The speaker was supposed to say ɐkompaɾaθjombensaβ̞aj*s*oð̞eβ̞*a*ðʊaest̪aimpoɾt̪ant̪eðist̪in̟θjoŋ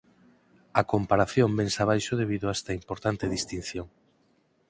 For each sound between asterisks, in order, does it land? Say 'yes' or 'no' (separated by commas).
no, no